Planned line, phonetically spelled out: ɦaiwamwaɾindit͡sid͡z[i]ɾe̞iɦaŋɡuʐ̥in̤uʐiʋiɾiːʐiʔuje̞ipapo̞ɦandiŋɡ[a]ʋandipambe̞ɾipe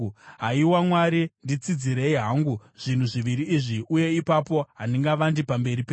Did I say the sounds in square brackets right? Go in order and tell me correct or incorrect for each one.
correct, correct

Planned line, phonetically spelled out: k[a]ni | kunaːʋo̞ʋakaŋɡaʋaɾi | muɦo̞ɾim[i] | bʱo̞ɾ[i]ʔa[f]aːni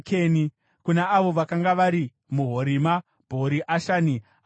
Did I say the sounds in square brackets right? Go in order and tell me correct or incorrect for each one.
incorrect, incorrect, correct, incorrect

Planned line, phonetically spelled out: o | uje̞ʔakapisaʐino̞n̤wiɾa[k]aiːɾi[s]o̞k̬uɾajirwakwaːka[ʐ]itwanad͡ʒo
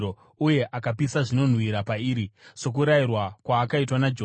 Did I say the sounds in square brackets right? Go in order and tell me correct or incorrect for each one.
incorrect, correct, incorrect

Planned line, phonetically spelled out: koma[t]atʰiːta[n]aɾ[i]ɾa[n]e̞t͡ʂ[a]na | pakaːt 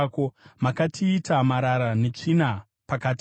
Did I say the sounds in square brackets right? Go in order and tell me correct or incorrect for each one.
incorrect, incorrect, incorrect, correct, incorrect

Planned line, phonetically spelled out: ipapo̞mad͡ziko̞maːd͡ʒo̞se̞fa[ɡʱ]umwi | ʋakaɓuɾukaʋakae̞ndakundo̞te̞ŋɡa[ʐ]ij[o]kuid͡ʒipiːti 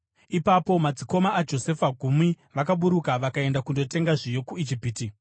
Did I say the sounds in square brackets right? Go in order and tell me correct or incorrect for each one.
correct, correct, correct

